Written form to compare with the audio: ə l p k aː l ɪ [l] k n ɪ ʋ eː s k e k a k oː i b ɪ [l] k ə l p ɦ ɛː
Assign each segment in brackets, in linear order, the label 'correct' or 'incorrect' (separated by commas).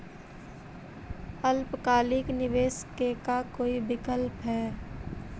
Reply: incorrect, incorrect